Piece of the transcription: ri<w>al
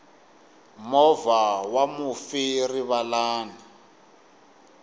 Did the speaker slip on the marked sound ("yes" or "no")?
yes